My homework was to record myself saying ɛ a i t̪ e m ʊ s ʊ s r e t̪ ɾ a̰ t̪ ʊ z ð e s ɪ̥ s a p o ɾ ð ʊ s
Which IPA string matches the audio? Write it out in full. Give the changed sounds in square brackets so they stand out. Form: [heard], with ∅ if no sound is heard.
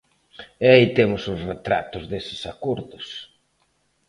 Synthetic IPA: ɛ a i t̪ e m ʊ s ʊ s r e t̪ ɾ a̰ t̪ ʊ z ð e s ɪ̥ s a [k] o ɾ ð ʊ s